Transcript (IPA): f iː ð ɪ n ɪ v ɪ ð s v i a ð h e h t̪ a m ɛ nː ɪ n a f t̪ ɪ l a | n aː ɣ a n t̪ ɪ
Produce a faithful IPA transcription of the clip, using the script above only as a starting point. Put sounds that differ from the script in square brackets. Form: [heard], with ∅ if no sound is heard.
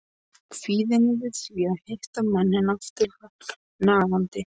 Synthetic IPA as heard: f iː ð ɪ n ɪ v ɪ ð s v i a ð h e h t̪ a m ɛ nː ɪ n a f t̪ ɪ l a | n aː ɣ a n t̪ ɪ